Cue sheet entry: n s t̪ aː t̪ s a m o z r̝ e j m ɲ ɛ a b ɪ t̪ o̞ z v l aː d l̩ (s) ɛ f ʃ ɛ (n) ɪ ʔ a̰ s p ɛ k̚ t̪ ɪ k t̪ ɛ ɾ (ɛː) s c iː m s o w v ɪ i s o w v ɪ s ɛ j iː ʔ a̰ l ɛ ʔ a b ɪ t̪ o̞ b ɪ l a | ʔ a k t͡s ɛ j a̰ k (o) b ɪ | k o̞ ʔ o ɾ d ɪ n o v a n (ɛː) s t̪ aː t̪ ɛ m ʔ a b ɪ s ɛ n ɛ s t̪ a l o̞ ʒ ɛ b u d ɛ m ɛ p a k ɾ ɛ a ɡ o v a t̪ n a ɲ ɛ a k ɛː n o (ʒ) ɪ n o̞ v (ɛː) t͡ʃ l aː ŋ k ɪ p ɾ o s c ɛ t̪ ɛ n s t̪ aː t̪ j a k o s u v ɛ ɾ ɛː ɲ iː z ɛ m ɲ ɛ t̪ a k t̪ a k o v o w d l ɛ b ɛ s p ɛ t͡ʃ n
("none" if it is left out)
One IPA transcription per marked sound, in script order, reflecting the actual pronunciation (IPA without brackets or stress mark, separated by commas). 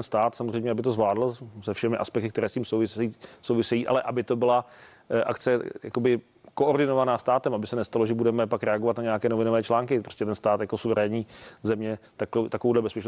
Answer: s, m, ɛː, o, aː, v, ɛː